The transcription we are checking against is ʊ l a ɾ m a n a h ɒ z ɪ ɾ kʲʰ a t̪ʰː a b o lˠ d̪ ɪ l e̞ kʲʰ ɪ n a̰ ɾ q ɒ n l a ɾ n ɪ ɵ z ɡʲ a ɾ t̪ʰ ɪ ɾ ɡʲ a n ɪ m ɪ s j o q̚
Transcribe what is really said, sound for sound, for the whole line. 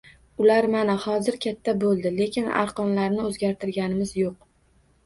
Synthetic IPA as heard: ʊ l a ɾ m a n a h ɒ z ɪ ɾ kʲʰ a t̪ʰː a b o lˠ d̪ ɪ l e̞ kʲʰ ɪ n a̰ ɾ q ɒ n l a ɾ n ɪ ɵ z ɡʲ a ɾ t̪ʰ ɪ ɾ ɡʲ a n ɪ m ɪ z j o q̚